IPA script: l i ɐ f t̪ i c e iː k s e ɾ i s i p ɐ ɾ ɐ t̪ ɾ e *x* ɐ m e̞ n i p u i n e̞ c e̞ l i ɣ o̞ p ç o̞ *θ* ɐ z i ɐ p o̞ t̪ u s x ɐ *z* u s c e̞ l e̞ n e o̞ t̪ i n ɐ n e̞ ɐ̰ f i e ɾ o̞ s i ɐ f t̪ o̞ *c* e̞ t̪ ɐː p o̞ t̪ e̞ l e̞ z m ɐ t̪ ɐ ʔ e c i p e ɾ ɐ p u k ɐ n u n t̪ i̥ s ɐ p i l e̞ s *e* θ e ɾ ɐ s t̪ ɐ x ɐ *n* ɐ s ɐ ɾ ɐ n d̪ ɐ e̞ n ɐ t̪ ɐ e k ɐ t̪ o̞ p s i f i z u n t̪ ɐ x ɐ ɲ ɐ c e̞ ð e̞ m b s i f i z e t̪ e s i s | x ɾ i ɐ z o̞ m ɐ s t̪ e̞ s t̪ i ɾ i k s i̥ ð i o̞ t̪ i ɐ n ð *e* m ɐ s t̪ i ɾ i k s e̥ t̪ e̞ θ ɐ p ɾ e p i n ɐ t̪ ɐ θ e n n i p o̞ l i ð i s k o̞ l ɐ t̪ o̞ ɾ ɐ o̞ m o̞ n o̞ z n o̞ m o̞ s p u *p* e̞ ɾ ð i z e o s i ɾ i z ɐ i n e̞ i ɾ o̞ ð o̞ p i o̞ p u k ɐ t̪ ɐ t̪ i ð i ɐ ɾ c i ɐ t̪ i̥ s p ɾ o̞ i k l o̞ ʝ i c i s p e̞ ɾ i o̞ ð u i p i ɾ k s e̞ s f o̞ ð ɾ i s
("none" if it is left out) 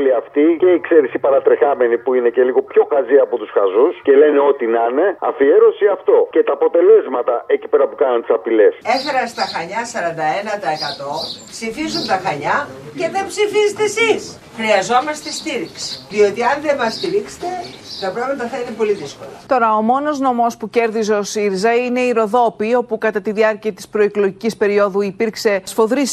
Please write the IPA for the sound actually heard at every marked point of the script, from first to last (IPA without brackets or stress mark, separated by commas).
x, x, z, c, e, ɲ, e, c